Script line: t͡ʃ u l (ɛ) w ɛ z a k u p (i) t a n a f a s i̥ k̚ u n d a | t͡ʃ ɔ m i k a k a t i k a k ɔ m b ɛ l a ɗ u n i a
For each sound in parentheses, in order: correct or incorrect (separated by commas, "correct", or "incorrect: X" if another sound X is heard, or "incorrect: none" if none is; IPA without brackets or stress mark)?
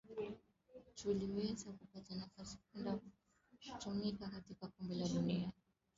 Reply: incorrect: i, incorrect: a